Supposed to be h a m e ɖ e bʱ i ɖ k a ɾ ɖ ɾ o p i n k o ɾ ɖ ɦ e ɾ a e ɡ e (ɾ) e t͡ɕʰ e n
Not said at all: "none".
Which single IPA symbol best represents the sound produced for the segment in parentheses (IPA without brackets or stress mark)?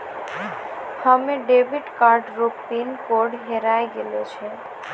l